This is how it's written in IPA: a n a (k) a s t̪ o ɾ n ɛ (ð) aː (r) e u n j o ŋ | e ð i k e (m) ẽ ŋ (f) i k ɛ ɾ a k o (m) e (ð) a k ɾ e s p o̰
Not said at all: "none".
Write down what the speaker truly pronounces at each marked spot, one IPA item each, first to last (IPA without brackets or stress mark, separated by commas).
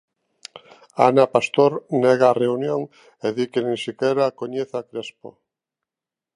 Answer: p, ɣ, r, n, s, ɲ, θ